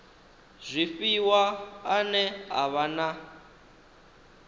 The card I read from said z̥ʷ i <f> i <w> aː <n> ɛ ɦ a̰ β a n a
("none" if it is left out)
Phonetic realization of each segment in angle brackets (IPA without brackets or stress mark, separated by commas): f, w, n